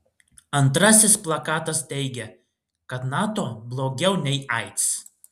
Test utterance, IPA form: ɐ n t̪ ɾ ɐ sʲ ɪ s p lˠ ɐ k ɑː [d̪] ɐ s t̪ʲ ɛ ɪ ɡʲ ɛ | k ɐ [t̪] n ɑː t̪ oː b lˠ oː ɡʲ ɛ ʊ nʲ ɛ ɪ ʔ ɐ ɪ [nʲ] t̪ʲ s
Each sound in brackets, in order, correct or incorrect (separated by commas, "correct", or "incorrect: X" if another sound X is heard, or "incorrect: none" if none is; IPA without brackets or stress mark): incorrect: t̪, correct, incorrect: none